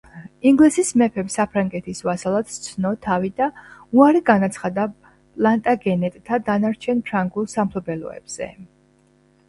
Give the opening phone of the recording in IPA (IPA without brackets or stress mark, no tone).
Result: i